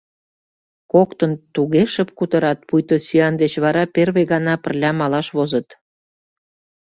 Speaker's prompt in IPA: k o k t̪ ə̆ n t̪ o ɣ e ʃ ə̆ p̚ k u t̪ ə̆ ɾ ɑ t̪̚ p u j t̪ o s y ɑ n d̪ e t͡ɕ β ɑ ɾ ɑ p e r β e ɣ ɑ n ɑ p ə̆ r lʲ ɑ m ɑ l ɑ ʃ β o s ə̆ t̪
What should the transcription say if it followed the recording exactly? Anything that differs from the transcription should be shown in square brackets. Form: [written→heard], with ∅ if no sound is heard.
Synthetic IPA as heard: k o k t̪ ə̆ n t̪ [o→u] ɣ e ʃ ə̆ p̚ k u t̪ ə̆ ɾ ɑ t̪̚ p u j t̪ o s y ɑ n d̪ e t͡ɕ β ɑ ɾ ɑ p e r β e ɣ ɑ n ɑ p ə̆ r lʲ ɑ m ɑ l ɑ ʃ β o [s→z] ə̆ t̪

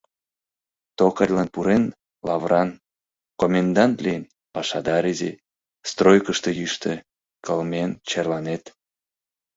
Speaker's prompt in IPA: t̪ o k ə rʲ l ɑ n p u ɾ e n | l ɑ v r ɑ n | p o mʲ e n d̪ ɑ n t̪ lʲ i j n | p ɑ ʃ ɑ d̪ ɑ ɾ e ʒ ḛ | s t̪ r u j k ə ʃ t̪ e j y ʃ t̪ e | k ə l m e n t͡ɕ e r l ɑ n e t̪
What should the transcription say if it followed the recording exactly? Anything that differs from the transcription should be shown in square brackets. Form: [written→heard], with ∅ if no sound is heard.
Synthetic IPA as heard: t̪ o k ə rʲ l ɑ n p u ɾ e n | l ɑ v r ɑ n | [p→k] o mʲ e n d̪ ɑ n t̪ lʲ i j n | p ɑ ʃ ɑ d̪ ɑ ɾ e [ʒ→z] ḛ | s t̪ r [u→o] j k ə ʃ t̪ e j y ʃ t̪ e | k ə l m e n t͡ɕ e r l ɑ n e t̪

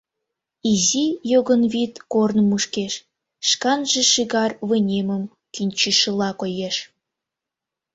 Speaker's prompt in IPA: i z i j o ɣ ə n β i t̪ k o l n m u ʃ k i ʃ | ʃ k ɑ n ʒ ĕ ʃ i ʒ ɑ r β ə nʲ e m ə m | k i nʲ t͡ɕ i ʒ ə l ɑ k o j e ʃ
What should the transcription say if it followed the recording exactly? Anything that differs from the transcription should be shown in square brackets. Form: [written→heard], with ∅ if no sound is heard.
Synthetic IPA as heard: i z i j o ɣ ə n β i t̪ k o [l→r] n m u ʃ k [i→e] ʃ | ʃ k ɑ n ʒ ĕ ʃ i [ʒ→ɣ] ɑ r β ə nʲ e m ə m | k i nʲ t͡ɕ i [ʒ→ʃ] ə l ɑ k o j e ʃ

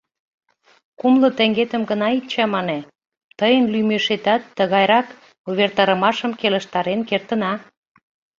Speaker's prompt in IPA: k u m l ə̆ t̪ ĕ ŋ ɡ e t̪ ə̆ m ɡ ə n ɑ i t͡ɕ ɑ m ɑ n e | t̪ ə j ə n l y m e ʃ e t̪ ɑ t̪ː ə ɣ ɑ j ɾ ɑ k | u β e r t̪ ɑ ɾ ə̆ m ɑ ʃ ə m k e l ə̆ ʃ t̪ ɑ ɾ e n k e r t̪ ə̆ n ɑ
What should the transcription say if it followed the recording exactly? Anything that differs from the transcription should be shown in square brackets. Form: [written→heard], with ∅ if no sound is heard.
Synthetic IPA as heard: k u m l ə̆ t̪ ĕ ŋ ɡ e t̪ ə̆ m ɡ ə n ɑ i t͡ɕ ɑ m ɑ n e | t̪ ə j ə n l y m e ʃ e t̪ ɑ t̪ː ə ɣ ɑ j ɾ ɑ k | u β e r t̪ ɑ ɾ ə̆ m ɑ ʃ ə m k e l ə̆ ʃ t̪ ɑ ɾ e n k e r t̪ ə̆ n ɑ

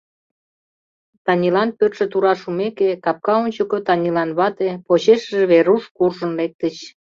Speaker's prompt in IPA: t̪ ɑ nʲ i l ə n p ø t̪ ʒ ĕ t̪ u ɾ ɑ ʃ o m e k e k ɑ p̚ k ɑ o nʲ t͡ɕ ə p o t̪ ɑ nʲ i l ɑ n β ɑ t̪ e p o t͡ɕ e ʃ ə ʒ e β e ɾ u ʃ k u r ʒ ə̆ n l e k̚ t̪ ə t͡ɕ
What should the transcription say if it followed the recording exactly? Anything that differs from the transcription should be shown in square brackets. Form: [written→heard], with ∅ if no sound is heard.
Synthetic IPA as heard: t̪ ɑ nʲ i l [ə→ɑ] n p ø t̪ [ʒ→ʃ] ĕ t̪ u ɾ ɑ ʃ [o→u] m e k e k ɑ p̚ k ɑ o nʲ t͡ɕ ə [p→k] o t̪ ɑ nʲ i l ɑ n β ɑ t̪ e p o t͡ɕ e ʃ ə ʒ e β e ɾ u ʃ k u r ʒ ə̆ n l e k̚ t̪ ə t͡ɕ

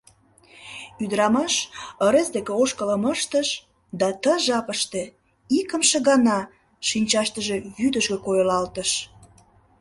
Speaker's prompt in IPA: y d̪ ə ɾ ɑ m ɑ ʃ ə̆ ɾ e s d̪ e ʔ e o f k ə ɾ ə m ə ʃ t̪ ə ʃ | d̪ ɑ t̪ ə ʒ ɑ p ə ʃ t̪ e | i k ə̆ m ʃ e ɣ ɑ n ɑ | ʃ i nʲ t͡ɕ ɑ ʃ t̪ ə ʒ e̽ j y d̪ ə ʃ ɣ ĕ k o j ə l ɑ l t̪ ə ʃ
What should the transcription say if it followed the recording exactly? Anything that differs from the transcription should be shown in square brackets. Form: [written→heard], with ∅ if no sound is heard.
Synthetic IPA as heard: y d̪ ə ɾ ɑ m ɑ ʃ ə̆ ɾ e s d̪ e [ʔ→k] e o [f→ʃ] k ə [ɾ→l] ə m ə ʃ t̪ ə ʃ | d̪ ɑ t̪ ə ʒ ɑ p ə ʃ t̪ e | i k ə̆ m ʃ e ɣ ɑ n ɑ | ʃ i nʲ t͡ɕ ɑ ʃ t̪ ə ʒ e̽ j y d̪ ə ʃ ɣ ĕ k o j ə l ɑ l t̪ ə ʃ

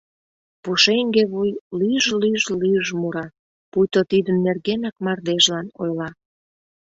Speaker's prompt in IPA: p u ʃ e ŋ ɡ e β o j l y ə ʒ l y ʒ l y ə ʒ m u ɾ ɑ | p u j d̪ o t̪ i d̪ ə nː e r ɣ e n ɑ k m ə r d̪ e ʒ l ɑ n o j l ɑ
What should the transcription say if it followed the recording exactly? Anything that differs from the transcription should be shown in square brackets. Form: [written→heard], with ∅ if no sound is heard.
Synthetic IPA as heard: p u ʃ e ŋ ɡ e β [o→u] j l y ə ʒ l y ʒ l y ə ʒ m u ɾ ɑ | p u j [d̪→t̪] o t̪ i d̪ ə nː e r ɣ e n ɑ k m [ə→ɑ] r d̪ e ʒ l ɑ n o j l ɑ

